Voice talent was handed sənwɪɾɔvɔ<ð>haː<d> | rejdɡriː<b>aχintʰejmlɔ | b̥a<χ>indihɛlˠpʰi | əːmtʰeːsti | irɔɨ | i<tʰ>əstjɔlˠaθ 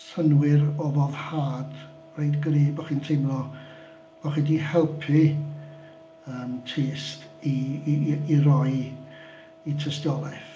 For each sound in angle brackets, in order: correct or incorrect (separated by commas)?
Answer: correct, correct, correct, correct, correct